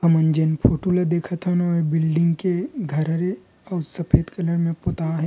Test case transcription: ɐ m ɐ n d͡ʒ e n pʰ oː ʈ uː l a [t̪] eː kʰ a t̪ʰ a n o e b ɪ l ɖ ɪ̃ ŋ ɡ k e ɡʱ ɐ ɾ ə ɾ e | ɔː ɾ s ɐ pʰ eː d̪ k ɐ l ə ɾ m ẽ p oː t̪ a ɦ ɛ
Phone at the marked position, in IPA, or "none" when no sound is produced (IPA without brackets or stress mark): d̪